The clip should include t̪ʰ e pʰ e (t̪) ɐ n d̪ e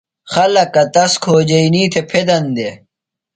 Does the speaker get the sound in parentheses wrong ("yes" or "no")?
yes